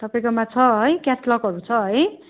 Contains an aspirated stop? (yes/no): yes